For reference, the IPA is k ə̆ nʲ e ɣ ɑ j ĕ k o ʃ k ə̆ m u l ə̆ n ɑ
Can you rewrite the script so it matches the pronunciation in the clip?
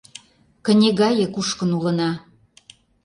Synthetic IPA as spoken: k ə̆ nʲ e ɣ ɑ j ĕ k u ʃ k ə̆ n u l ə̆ n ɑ